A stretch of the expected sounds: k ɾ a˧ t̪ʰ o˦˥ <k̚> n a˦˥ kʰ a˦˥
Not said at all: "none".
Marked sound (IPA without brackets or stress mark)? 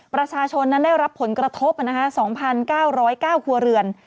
p̚